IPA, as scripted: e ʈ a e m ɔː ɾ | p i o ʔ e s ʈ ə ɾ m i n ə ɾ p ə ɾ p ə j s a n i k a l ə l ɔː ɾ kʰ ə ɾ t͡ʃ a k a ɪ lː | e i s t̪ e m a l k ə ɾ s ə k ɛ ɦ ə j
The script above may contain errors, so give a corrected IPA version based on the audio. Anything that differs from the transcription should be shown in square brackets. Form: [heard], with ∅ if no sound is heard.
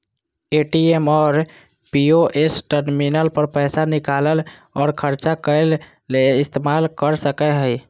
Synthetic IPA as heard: e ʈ [i] e m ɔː ɾ | p i o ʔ e s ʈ ə ɾ m i n ə [l] p ə ɾ p ə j s a n i k a l ə l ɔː ɾ kʰ ə ɾ t͡ʃ a k [ə] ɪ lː | e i s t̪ e m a l k ə ɾ s ə k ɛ ɦ ə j